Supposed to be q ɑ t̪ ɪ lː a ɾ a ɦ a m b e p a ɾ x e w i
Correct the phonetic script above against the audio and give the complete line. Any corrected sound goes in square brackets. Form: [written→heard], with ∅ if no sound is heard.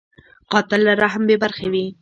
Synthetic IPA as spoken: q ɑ t̪ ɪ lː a ɾ a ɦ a m b e [p→b] a ɾ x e w i